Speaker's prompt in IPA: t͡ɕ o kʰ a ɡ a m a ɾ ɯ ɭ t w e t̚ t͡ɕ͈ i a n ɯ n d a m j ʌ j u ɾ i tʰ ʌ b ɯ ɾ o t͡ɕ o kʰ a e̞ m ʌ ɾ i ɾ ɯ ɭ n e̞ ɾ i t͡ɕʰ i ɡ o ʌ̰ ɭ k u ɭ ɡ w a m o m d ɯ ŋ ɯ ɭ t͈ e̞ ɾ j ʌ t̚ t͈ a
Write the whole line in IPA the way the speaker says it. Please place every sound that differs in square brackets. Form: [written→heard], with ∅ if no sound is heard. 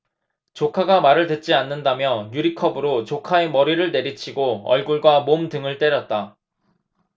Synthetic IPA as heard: t͡ɕ o kʰ a ɡ a m a ɾ ɯ ɭ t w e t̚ t͡ɕ͈ i a [n→nː] ɯ n d a m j ʌ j u ɾ i [tʰ→kʰ] ʌ b ɯ ɾ o t͡ɕ o kʰ a e̞ m ʌ ɾ i ɾ ɯ ɭ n e̞ ɾ i t͡ɕʰ i ɡ o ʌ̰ ɭ [k→ɡ] u ɭ ɡ w a m o m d ɯ ŋ ɯ ɭ t͈ e̞ ɾ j ʌ t̚ t͈ a

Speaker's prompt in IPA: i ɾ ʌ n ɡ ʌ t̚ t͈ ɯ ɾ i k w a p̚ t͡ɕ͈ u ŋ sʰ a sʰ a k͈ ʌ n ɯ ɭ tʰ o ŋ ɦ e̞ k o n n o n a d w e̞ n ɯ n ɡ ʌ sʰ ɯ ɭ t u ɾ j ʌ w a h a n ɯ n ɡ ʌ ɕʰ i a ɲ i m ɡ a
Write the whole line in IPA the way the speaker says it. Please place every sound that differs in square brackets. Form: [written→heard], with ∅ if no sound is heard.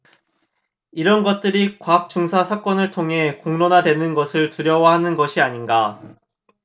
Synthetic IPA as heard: i ɾ ʌ n ɡ ʌ t̚ t͈ ɯ ɾ i k w a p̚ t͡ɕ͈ u ŋ sʰ a sʰ a k͈ ʌ n ɯ ɭ tʰ o ŋ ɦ e̞ k o [n→ŋ] n o n a d w e̞ n ɯ n ɡ ʌ sʰ ɯ ɭ t u ɾ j ʌ w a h a n ɯ n ɡ ʌ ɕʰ i a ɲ i [m→n] ɡ a

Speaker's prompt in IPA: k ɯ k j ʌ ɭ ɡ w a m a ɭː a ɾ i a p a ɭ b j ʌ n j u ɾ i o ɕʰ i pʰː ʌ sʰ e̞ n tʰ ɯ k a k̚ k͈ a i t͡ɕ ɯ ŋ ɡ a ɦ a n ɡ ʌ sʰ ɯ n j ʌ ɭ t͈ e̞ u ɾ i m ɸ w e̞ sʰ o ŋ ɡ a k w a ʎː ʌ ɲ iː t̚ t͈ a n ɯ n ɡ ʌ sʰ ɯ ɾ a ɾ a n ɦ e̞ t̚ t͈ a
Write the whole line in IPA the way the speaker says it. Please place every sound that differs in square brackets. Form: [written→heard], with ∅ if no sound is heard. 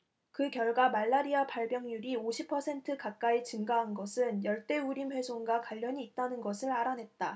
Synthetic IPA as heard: k ɯ k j ʌ ɭ ɡ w a m a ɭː a ɾ i a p a ɭ b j ʌ [n→ŋ] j u ɾ i o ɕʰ i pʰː ʌ sʰ e̞ n tʰ ɯ k a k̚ k͈ a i t͡ɕ ɯ ŋ ɡ a ɦ a n ɡ ʌ sʰ ɯ n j ʌ ɭ t͈ e̞ u ɾ i m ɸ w e̞ sʰ o ŋ ɡ a k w a ʎː ʌ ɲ iː t̚ t͈ a n ɯ n ɡ ʌ sʰ ɯ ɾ a ɾ a n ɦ e̞ t̚ t͈ a

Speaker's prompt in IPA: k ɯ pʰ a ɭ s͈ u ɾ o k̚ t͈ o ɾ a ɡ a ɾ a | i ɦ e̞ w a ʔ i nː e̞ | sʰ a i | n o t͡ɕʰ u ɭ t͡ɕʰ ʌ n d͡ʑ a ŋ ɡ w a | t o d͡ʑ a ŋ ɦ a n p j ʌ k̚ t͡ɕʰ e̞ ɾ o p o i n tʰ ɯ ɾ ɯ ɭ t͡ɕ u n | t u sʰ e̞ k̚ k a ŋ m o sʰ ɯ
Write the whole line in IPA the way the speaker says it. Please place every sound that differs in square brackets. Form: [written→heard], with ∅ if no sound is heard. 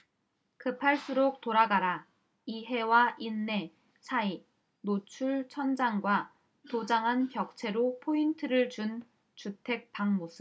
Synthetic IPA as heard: k ɯ pʰ a ɭ s͈ u ɾ o k̚ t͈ o ɾ a ɡ a ɾ a | i ɦ e̞ w a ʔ i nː e̞ | sʰ a i | n o t͡ɕʰ u ɭ t͡ɕʰ ʌ n d͡ʑ a ŋ ɡ w a | t o d͡ʑ a ŋ ɦ a n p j ʌ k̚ t͡ɕʰ e̞ ɾ o [p→pʰ] o i n tʰ ɯ ɾ ɯ ɭ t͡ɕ u n | [t→t͡ɕ] u [sʰ→tʰ] e̞ k̚ [k→p] a ŋ m o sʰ ɯ

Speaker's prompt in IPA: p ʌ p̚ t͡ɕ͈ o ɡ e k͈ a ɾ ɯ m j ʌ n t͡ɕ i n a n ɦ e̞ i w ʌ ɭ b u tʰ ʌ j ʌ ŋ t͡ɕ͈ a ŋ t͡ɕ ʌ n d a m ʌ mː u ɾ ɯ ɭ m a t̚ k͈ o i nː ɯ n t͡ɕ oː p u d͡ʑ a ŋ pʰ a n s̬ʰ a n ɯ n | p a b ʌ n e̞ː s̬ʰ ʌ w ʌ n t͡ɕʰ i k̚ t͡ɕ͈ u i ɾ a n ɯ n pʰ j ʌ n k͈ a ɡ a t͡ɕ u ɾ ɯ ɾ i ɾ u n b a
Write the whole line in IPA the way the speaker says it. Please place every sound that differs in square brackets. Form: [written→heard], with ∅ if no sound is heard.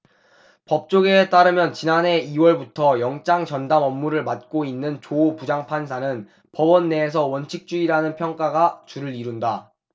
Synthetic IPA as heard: p ʌ p̚ t͡ɕ͈ o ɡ e [k͈→t͈] a ɾ ɯ m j ʌ n t͡ɕ i n a n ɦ e̞ i w ʌ ɭ b u tʰ ʌ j ʌ ŋ t͡ɕ͈ a ŋ t͡ɕ ʌ n d a m ʌ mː u ɾ ɯ ɭ m a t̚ k͈ o i nː ɯ n t͡ɕ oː p u d͡ʑ a ŋ pʰ a n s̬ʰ a n ɯ n | p [a→ʌ] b ʌ [n→nː] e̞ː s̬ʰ ʌ w ʌ n t͡ɕʰ i k̚ t͡ɕ͈ u i ɾ a n ɯ n pʰ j ʌ [n→ŋ] k͈ a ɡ a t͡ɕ u ɾ ɯ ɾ i ɾ u n [b→d] a

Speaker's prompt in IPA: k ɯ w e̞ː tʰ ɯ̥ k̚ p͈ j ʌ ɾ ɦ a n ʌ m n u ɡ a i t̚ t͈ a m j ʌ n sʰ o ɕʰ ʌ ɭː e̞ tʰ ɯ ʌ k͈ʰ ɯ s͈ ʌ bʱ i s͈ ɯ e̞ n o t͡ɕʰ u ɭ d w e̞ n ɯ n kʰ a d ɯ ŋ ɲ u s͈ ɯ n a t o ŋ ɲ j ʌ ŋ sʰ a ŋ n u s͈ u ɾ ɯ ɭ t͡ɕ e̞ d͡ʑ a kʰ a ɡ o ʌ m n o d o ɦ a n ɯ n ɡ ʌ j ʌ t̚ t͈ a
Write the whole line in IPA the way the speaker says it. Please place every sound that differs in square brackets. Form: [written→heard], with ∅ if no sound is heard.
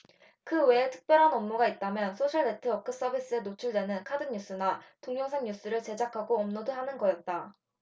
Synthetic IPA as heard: k ɯ w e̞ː tʰ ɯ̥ k̚ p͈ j ʌ ɾ ɦ a n ʌ m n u ɡ a i t̚ t͈ a m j ʌ n sʰ o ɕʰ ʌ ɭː e̞ tʰ ɯ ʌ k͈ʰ ɯ s͈ ʌ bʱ i s͈ ɯ e̞ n o t͡ɕʰ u ɭ d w e̞ n ɯ n kʰ a d ɯ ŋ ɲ u s͈ ɯ n a t o ŋ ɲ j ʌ ŋ sʰ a ŋ [n→ɲ] u s͈ [u→ɯ] ɾ ɯ ɭ t͡ɕ e̞ d͡ʑ a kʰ a ɡ o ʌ m n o d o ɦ a n ɯ n ɡ ʌ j ʌ t̚ t͈ a

